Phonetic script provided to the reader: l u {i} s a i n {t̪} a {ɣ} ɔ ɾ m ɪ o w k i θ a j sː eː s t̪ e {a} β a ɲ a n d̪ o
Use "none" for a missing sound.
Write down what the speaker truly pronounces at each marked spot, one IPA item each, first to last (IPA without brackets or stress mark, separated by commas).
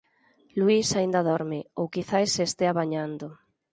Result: i, d̪, ð, a